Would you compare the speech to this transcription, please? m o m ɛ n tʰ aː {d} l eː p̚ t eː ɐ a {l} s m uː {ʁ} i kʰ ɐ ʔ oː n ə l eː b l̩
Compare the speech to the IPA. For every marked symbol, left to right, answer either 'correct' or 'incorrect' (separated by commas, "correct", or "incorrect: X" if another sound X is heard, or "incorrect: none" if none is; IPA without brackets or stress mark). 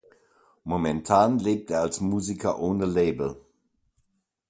incorrect: n, correct, incorrect: z